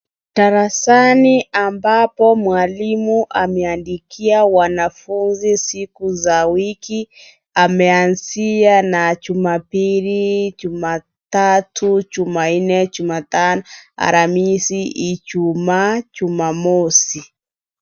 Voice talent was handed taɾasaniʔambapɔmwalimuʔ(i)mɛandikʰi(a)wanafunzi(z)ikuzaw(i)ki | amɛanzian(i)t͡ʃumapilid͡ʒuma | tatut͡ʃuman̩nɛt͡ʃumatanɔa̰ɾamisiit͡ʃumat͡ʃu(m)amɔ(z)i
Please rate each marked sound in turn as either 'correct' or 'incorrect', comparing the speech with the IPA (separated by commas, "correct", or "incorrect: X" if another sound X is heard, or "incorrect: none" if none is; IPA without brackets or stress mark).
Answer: incorrect: a, correct, incorrect: s, correct, incorrect: a, correct, incorrect: s